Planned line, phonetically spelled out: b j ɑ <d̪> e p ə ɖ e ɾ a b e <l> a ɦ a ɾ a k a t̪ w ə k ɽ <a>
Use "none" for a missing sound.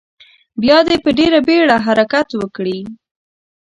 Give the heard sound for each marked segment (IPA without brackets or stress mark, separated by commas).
d̪, ɽ, i